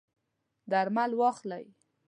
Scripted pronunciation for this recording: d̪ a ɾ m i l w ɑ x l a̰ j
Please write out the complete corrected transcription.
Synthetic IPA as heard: d̪ a ɾ m a l w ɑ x l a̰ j